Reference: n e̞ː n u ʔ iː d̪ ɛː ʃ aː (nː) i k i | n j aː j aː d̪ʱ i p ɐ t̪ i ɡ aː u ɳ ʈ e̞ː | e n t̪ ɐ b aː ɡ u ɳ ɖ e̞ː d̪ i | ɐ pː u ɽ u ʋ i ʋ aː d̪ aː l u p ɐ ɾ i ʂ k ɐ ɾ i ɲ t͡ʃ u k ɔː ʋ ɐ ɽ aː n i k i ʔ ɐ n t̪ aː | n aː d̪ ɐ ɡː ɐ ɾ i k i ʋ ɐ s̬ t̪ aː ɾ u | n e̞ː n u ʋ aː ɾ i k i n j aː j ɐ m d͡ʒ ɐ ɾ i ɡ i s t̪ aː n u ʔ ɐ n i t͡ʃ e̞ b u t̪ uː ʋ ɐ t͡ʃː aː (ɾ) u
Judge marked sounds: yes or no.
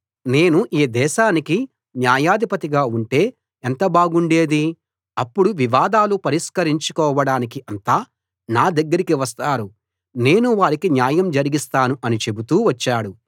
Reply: no, no

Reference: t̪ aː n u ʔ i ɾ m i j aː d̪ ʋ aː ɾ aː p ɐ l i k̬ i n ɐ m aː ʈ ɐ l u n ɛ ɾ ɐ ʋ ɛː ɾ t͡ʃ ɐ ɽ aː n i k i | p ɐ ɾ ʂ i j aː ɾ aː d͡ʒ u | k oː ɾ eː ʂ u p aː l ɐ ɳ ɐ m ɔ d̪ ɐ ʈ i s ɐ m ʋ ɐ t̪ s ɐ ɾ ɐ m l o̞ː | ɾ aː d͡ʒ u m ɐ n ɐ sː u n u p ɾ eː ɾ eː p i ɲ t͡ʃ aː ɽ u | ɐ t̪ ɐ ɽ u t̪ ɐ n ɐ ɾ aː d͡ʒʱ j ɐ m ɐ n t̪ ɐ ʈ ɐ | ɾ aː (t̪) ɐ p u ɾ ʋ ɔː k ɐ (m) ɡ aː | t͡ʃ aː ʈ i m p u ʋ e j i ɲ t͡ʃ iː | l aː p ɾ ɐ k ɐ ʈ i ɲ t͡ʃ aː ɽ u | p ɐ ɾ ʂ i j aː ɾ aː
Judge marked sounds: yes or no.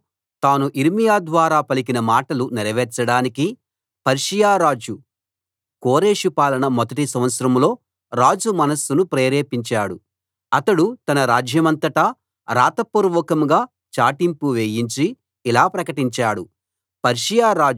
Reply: yes, yes

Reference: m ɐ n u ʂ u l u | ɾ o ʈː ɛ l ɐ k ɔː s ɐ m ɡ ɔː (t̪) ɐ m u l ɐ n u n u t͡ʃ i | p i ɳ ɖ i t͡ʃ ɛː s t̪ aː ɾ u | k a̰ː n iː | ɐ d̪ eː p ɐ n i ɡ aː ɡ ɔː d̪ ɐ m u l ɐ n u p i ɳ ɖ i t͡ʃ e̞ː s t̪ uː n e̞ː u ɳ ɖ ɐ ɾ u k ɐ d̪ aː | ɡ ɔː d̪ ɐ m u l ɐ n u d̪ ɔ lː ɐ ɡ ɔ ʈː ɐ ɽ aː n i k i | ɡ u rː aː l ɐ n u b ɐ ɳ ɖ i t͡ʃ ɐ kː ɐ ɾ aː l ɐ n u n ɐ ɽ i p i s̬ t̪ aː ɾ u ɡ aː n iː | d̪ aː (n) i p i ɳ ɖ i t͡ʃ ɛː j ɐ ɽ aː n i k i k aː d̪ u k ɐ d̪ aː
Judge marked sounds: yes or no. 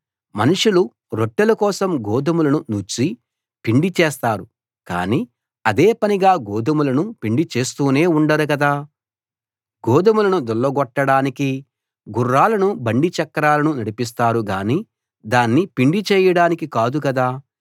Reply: no, no

